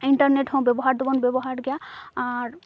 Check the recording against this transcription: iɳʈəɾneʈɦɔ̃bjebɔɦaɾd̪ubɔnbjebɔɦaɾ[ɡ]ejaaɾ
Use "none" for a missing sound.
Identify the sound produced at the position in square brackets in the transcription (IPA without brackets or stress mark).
ɡ